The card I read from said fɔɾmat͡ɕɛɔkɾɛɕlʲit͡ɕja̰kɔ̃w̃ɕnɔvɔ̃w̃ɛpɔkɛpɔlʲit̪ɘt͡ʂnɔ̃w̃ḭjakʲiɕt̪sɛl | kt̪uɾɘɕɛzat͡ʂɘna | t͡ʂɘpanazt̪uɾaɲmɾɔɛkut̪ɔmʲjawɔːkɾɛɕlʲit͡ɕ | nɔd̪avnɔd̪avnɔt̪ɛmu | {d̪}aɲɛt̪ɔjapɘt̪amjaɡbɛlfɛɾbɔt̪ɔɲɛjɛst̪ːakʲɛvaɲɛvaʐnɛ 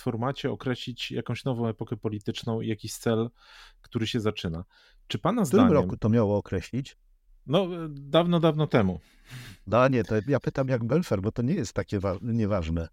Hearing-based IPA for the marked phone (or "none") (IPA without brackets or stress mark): d̪